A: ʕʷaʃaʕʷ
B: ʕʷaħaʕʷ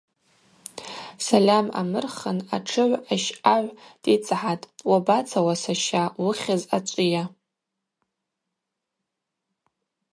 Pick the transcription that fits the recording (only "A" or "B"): A